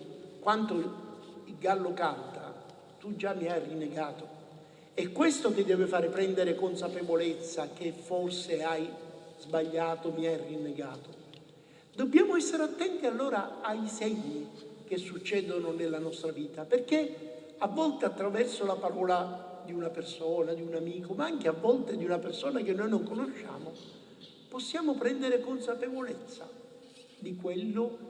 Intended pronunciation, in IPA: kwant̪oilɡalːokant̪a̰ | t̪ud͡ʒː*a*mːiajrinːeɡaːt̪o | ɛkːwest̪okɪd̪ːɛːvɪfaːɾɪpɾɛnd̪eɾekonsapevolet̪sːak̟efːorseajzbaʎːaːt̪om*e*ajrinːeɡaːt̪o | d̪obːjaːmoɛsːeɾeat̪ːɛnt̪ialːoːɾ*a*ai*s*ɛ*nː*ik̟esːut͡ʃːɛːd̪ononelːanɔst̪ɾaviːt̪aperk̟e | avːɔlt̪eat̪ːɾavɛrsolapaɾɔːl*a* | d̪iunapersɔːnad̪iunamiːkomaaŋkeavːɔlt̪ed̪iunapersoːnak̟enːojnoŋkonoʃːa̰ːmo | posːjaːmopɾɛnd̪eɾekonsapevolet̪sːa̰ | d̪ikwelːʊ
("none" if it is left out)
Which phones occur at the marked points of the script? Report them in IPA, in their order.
a, i, a, s, ɲː, a

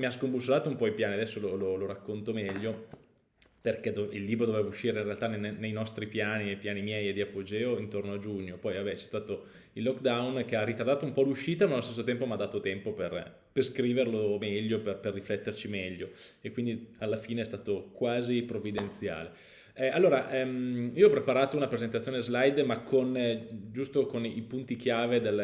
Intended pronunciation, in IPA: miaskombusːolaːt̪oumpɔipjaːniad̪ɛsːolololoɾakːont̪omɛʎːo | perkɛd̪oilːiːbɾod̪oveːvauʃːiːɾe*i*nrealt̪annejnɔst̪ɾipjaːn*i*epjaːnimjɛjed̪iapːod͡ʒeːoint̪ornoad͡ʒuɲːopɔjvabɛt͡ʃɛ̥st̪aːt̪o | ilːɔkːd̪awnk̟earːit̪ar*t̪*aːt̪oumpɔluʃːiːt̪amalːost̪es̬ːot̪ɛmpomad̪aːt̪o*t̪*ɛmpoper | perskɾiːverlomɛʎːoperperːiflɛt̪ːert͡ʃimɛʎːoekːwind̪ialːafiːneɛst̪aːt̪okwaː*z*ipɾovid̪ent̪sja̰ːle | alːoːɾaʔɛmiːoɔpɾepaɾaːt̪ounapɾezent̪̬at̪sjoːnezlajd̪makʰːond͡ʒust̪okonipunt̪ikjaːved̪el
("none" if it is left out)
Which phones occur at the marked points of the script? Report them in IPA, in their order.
i, i, d̪, t̪, z

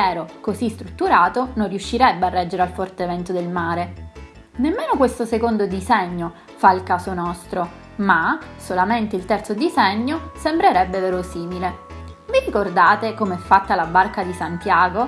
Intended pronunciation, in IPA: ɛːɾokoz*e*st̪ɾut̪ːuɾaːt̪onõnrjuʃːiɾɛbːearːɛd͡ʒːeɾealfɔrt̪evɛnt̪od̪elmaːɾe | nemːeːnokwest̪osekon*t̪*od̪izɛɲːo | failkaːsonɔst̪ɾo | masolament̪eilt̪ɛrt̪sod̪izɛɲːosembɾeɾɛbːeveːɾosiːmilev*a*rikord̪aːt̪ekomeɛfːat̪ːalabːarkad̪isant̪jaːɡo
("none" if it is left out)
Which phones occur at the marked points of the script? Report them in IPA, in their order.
i, d̪, i

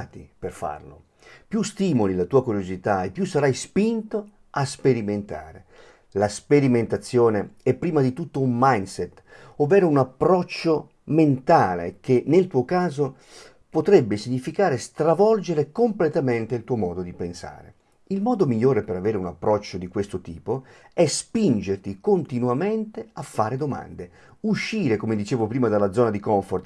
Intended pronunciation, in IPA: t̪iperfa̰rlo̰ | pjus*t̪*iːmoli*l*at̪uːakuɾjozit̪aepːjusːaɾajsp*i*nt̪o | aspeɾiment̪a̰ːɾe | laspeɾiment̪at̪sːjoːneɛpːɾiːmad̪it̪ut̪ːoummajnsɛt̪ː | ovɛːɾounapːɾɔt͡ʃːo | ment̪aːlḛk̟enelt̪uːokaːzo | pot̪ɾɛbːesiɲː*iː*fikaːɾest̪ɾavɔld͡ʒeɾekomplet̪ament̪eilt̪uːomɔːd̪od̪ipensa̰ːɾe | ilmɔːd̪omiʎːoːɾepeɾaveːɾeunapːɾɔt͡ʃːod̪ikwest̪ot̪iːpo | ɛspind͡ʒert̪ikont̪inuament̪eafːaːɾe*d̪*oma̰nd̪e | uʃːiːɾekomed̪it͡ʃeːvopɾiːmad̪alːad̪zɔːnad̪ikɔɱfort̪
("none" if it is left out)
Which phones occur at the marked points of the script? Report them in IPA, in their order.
t̪, l, i, i, d̪

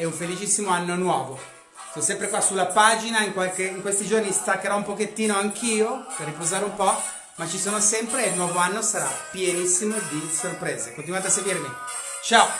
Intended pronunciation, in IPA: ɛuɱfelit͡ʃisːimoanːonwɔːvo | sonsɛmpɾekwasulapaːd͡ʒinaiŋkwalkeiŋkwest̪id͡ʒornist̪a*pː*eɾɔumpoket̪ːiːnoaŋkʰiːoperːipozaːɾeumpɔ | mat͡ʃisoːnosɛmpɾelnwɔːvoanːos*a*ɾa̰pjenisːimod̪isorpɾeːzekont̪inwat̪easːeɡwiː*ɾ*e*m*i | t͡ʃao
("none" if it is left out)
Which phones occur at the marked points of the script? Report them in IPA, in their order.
kː, a, ɾ, m

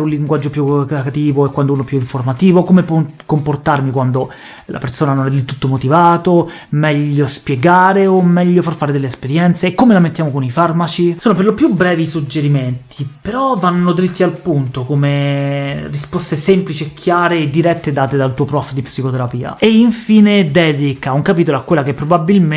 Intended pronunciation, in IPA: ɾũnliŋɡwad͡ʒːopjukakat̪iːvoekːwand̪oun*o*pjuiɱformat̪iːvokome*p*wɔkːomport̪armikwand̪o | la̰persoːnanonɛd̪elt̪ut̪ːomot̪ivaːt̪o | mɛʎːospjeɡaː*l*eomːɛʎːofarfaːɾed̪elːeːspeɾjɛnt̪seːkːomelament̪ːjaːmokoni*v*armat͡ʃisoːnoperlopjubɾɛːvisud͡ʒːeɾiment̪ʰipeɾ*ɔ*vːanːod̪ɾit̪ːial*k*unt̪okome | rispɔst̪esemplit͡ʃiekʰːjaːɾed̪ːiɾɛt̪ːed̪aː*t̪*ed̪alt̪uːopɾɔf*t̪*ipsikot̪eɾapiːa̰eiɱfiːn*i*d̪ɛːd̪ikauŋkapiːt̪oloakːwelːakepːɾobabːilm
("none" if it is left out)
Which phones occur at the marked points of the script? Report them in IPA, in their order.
o, p, ɾ, f, ɔ, p, t̪, d̪, e

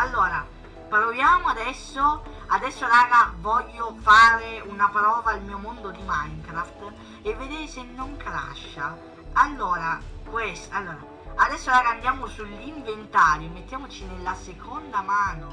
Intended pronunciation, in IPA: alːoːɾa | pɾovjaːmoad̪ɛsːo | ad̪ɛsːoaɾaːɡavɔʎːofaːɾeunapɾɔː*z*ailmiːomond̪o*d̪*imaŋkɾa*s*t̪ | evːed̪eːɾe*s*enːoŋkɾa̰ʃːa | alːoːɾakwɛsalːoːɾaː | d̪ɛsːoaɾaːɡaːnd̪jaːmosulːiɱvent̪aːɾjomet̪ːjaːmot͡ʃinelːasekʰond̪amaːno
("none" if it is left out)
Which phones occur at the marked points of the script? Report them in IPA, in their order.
v, d̪, f, s

